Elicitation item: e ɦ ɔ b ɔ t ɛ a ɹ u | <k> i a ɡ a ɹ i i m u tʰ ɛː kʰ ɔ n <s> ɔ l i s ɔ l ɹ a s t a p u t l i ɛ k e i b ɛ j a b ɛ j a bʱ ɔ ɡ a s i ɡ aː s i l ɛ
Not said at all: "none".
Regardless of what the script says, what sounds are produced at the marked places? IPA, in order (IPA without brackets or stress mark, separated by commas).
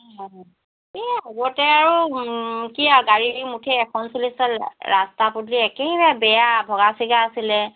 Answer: k, s